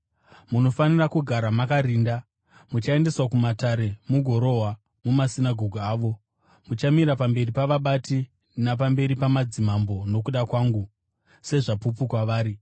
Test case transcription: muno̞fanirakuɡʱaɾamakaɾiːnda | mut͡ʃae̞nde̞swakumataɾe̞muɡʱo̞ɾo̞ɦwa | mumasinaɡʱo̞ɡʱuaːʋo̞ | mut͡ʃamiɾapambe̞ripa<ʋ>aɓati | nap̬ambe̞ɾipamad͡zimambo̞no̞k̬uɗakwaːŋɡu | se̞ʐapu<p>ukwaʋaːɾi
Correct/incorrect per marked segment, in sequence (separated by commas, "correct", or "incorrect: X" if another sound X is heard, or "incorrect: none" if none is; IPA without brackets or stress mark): correct, correct